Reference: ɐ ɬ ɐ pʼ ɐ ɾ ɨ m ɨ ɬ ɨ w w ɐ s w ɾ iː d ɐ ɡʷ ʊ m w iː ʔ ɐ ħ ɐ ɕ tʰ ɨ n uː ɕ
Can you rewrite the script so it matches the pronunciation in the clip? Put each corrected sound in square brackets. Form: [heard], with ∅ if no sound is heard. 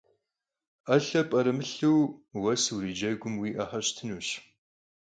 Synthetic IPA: ɐ ɬ ɐ pʼ ɐ ɾ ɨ m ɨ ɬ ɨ w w ɐ s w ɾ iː [d͡ʒ] ɐ ɡʷ ʊ m w iː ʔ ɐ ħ ɐ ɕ tʰ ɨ n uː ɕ

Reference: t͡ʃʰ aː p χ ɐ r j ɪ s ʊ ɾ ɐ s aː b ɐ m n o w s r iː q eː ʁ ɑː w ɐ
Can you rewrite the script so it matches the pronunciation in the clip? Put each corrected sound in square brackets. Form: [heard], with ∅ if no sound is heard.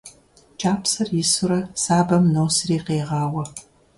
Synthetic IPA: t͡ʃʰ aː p [s] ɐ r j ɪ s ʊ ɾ ɐ s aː b ɐ m n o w s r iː q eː ʁ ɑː w ɐ

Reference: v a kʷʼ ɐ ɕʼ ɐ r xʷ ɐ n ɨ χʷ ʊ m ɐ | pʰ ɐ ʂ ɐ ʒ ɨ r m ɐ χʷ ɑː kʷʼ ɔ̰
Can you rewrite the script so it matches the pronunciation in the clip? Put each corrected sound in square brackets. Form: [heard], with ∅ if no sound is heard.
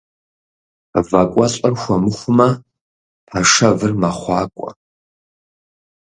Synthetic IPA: v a kʷʼ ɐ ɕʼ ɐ r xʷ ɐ [m] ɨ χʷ ʊ m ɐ | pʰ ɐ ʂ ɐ [v] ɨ r m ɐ χʷ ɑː kʷʼ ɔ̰

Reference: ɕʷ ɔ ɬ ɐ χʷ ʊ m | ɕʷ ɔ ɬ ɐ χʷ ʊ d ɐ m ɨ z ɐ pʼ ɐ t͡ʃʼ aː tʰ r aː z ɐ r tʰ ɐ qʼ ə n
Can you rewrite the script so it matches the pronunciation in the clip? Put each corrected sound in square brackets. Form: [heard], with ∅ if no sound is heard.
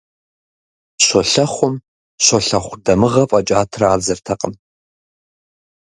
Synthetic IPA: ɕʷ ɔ ɬ ɐ χʷ ʊ m | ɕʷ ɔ ɬ ɐ χʷ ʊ d ɐ m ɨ [ʁ] ɐ pʼ ɐ t͡ʃʼ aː tʰ r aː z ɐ r tʰ ɐ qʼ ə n

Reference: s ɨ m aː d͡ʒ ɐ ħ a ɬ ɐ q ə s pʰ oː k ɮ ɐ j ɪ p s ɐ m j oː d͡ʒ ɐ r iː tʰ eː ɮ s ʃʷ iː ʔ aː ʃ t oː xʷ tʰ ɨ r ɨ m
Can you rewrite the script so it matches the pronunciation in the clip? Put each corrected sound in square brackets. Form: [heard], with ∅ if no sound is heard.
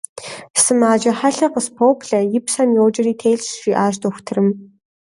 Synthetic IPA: s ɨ m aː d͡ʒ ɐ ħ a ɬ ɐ q ə s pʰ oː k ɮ ɐ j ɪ p s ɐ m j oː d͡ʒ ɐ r iː tʰ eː ɮ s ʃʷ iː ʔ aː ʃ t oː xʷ tʰ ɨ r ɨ m

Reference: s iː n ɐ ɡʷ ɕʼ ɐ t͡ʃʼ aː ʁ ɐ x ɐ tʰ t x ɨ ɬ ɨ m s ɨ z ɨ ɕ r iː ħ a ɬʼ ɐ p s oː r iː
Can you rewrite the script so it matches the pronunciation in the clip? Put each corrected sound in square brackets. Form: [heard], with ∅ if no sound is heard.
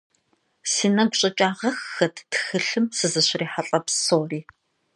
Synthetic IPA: s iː n ɐ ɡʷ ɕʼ ɐ t͡ʃʼ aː ʁ ɐ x ɐ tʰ t x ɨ ɬ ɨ m s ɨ z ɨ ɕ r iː ħ a ɬʼ ɐ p s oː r iː

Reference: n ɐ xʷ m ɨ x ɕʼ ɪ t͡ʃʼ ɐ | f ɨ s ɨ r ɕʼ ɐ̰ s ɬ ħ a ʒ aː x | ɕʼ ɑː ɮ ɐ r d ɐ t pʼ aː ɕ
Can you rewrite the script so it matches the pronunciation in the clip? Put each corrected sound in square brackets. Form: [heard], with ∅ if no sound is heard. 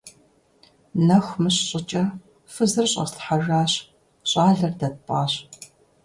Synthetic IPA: n ɐ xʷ m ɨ [ɕ] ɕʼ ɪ t͡ʃʼ ɐ | f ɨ [z] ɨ r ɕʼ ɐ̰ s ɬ ħ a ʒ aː [ɕ] | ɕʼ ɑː ɮ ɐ r d ɐ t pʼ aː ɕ

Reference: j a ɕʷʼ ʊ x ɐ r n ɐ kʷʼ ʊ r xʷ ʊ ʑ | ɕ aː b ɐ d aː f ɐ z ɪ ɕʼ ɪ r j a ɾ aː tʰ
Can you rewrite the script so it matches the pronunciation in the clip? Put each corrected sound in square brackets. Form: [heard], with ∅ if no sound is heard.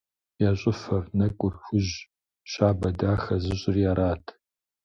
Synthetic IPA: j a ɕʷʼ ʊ [f] ɐ r n ɐ kʷʼ ʊ r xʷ ʊ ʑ | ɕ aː b ɐ d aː [x] ɐ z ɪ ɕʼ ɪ r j a ɾ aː tʰ

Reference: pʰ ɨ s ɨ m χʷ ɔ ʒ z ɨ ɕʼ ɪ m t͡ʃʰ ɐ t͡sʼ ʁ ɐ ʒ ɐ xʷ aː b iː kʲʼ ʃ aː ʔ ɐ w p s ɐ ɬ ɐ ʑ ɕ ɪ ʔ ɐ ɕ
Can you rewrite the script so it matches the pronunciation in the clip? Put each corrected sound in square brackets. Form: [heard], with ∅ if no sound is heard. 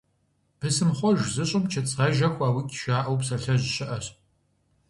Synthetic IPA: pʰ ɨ s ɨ m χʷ ɔ ʒ z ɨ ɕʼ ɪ m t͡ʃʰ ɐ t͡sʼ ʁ ɐ ʒ ɐ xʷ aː [w] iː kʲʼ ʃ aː ʔ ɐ w p s ɐ ɬ ɐ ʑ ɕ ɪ ʔ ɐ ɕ

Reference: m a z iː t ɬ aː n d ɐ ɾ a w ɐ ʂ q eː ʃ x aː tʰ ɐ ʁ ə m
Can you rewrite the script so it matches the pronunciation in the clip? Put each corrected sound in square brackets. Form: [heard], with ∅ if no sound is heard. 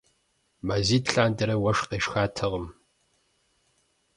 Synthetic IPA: m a z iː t ɬ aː n d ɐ ɾ [ɐ] w ɐ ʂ q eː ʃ x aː tʰ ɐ ʁ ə m

